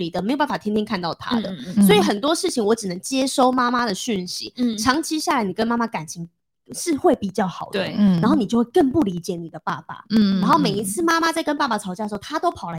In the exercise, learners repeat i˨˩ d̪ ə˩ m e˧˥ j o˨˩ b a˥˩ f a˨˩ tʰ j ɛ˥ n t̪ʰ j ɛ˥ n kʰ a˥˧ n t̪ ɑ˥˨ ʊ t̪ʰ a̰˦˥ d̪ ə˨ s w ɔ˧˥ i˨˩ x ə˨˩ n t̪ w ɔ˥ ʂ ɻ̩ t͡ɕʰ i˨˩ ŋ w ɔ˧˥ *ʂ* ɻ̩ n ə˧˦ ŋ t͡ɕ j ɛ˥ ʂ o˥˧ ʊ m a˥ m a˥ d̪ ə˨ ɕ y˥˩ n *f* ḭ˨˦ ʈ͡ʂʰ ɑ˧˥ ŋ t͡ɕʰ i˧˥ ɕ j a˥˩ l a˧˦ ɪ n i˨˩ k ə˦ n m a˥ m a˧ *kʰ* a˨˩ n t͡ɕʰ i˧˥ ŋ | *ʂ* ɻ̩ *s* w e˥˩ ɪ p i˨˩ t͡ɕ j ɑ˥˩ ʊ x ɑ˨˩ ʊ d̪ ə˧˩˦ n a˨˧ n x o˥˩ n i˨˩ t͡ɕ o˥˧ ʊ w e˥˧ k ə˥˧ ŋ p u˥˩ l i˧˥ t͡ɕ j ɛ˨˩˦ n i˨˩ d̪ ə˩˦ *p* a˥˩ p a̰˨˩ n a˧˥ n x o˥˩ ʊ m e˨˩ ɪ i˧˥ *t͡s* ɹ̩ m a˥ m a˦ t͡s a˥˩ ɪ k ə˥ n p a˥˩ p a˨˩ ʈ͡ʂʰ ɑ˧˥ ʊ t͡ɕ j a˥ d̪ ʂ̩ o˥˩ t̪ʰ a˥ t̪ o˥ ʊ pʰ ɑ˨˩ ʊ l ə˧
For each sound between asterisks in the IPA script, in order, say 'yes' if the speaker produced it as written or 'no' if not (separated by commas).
no, no, no, yes, no, yes, no